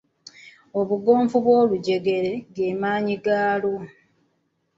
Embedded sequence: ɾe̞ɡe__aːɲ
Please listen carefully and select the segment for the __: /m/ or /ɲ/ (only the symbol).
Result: m